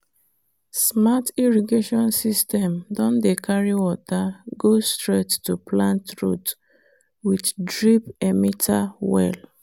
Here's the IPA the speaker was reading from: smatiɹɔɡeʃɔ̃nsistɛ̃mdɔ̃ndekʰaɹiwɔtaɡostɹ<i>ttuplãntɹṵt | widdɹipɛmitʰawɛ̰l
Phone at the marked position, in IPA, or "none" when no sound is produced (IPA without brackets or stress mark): e